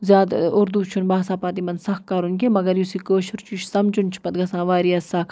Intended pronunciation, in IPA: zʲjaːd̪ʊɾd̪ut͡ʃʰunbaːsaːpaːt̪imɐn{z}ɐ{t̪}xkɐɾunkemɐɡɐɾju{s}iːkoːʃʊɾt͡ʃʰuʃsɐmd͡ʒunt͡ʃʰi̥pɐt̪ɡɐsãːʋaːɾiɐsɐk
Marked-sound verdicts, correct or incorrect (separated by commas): incorrect, incorrect, correct